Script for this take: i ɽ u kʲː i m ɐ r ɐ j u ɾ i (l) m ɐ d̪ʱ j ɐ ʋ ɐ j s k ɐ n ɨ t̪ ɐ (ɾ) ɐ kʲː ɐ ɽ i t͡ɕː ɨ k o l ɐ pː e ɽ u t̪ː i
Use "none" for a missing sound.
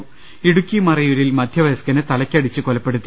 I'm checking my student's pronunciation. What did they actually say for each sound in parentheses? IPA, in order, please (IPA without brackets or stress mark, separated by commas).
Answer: l, l